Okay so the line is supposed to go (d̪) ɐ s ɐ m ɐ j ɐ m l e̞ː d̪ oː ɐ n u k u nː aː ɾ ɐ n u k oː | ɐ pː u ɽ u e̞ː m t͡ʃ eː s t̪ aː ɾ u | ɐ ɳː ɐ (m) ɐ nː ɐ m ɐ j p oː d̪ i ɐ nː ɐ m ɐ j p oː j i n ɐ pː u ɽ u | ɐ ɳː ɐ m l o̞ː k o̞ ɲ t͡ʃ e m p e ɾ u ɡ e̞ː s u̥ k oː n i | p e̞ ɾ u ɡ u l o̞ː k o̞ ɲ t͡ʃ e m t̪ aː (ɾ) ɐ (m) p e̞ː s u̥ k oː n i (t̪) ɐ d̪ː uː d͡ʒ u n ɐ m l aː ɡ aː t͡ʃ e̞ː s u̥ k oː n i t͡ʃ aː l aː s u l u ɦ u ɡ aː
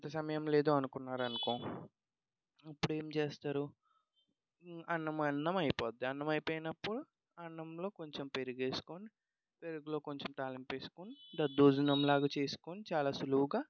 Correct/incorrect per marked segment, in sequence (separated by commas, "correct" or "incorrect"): incorrect, correct, incorrect, correct, incorrect